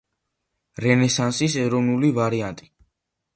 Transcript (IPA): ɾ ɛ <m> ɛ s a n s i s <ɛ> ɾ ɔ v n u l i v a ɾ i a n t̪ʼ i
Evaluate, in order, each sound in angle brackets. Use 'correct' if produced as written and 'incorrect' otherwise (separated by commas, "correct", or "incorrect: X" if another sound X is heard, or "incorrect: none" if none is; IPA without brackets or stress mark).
incorrect: n, correct